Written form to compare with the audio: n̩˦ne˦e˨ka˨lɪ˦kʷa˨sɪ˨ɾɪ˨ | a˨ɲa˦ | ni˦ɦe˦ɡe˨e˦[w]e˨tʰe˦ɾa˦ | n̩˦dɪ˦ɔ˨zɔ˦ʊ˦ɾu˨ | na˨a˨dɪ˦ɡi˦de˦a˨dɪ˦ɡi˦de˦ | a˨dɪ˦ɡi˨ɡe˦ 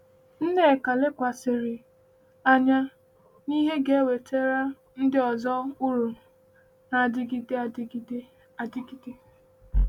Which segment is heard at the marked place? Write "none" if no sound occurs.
w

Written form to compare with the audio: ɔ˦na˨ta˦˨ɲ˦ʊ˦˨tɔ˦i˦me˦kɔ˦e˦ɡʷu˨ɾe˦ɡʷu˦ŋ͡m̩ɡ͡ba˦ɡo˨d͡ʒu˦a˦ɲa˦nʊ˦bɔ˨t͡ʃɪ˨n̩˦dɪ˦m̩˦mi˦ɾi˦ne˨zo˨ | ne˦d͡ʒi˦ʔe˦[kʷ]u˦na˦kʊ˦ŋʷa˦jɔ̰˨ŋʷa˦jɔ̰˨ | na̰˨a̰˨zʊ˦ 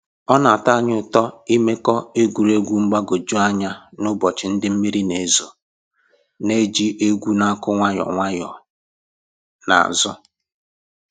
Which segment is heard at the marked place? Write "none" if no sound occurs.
ɡʷ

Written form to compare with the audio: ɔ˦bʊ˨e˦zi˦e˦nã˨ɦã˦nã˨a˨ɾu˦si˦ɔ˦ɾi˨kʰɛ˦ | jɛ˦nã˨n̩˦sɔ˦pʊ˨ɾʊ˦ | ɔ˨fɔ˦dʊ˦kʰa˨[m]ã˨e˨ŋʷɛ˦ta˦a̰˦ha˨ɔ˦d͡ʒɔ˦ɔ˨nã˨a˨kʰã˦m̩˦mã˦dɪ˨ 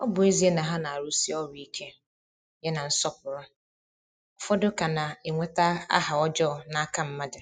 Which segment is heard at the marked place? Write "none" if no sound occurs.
n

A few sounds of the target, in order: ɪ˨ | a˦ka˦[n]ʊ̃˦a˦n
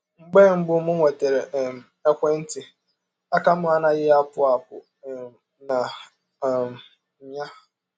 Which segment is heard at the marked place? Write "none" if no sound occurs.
m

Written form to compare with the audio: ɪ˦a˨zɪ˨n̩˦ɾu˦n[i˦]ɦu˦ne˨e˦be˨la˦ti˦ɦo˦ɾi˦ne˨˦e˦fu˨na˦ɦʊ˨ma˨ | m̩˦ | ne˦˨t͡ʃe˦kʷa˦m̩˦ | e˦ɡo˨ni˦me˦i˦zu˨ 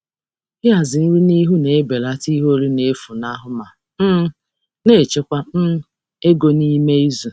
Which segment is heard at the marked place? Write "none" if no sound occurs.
i˦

